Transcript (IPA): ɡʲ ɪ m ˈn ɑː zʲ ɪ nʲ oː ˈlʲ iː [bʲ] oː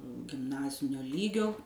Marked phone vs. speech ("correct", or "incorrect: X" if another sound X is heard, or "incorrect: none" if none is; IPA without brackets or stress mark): incorrect: ɡʲ